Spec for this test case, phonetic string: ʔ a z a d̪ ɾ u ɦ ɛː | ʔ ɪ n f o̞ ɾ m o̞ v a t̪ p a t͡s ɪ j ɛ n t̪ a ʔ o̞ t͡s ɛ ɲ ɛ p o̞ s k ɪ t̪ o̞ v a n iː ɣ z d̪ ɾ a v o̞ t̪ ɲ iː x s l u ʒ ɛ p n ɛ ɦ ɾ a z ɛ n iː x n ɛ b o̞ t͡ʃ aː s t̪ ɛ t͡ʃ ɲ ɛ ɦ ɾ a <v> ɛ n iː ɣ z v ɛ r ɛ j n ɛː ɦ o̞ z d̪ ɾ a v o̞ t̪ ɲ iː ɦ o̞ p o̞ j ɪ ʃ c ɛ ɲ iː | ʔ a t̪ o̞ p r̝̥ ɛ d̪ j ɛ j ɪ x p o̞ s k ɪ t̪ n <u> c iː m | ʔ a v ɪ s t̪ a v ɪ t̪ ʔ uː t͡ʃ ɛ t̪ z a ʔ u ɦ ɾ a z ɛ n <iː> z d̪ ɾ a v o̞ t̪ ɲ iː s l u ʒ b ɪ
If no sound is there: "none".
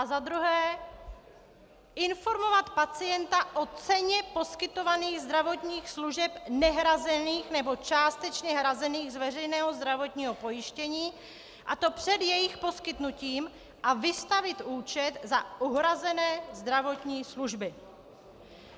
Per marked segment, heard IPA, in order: z, u, ɛː

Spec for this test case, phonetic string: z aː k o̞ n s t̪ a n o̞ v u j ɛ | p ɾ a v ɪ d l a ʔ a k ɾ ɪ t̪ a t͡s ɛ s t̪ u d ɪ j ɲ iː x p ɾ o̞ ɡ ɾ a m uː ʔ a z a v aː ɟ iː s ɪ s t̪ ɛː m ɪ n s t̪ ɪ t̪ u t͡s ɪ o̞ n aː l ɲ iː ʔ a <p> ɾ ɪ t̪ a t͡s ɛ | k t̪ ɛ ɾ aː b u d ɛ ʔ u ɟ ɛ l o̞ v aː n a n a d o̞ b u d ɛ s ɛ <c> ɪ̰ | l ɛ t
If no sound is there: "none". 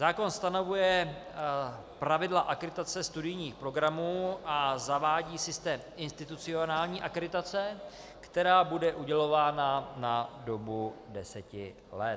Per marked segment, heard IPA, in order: k, c

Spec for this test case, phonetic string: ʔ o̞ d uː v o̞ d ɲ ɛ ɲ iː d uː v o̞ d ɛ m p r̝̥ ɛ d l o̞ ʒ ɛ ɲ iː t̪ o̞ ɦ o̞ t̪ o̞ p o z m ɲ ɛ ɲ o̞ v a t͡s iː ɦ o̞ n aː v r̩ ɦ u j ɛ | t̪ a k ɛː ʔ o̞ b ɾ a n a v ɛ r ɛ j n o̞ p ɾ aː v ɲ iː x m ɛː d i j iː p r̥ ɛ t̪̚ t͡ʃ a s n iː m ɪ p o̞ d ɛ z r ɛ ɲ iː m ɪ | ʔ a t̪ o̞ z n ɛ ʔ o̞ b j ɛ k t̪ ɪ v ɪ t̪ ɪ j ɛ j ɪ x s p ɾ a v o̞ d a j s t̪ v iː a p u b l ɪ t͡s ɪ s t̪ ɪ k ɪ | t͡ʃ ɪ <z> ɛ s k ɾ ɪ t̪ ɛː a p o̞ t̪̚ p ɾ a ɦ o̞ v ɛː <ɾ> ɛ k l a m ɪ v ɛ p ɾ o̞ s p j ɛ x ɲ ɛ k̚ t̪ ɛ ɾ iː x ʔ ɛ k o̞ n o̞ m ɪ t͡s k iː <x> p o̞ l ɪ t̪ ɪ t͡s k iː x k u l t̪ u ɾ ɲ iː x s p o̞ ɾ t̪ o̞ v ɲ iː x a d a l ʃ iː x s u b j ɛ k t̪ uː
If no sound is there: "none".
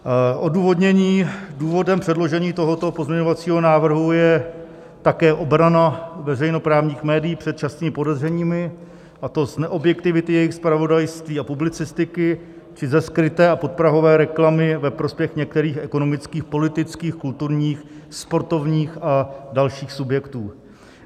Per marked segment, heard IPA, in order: z, ɾ, x

